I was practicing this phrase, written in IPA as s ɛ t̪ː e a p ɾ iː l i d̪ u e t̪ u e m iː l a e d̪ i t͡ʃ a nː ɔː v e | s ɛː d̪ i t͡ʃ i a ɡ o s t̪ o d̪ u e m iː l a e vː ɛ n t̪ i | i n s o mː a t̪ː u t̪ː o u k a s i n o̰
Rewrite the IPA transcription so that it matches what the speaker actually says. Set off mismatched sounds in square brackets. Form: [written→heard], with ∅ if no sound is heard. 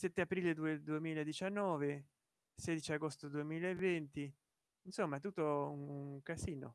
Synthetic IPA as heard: s ɛ t̪ː e a p ɾ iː l [i→e] d̪ u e [t̪→d̪] u e m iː l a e d̪ i t͡ʃ a nː ɔː v e | s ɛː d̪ i t͡ʃ i a ɡ o s t̪ o d̪ u e m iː l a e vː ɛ n t̪ i | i n s o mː a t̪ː u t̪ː o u k a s [i→iː] n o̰